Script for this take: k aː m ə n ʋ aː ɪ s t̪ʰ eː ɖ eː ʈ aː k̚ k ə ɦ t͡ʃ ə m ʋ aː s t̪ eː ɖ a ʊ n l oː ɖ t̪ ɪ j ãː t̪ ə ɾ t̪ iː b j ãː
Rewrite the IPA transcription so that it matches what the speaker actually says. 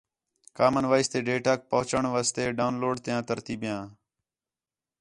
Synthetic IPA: k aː m ə n ʋ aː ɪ s t̪ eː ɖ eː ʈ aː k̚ p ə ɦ t͡ʃ ə ɳ ʋ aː s t̪ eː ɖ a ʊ n l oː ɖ t̪ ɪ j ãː t̪ ə ɾ t̪ iː b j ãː